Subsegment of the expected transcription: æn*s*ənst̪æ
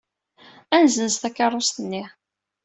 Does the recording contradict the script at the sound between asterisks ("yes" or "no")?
yes